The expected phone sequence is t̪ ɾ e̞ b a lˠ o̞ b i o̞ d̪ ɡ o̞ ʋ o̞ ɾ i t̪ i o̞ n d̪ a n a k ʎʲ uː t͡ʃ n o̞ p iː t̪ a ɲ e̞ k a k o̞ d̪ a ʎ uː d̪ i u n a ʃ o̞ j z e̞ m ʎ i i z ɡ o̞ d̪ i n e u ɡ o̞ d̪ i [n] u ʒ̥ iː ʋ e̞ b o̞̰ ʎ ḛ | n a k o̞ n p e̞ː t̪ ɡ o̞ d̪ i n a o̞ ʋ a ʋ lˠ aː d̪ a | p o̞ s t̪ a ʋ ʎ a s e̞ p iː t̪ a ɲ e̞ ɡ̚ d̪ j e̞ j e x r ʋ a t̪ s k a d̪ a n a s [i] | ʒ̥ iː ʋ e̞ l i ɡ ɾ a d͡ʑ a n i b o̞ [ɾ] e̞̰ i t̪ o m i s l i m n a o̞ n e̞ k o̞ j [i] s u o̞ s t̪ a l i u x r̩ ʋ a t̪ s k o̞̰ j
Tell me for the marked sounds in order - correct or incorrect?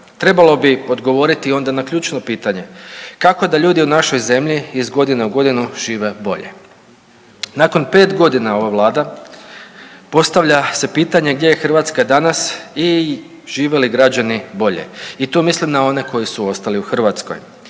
correct, correct, incorrect: ʎ, correct

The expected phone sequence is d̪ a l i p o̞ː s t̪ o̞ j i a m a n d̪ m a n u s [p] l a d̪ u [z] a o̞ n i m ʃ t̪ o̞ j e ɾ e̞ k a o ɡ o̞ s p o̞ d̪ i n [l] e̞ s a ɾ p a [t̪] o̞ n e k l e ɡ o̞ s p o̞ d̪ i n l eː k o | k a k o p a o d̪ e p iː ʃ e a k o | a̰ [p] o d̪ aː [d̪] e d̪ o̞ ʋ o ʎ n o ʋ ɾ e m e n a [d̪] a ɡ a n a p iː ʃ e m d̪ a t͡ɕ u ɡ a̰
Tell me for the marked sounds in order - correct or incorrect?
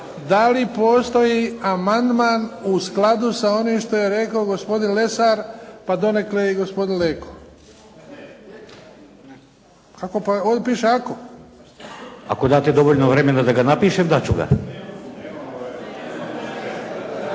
incorrect: k, incorrect: s, correct, incorrect: d̪, incorrect: k, incorrect: t̪, correct

